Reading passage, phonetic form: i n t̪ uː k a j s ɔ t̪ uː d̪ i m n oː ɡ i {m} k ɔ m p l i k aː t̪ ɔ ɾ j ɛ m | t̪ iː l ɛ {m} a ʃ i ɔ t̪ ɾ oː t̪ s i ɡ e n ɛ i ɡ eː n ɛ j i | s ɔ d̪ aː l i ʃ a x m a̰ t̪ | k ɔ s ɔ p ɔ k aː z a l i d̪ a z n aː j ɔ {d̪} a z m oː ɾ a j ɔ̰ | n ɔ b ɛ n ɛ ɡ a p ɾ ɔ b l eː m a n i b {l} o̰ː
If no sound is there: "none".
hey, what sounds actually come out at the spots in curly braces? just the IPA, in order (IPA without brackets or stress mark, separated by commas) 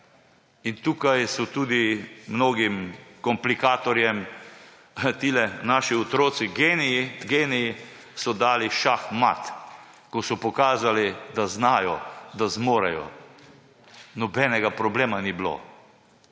m, n, d̪, l